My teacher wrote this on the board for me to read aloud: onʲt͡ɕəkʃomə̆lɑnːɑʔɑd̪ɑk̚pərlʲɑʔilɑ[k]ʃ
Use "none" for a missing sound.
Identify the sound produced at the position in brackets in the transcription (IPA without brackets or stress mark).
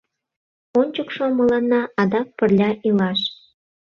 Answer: none